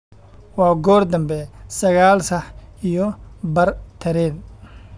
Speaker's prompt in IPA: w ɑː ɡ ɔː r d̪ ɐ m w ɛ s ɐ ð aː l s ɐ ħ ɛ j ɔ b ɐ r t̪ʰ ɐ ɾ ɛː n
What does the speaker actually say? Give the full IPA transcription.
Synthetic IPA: w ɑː ɡ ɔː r d̪ ɐ m b ɛ s ɐ ɣ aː l s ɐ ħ i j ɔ b ɐ r t̪ʰ ɐ ɾ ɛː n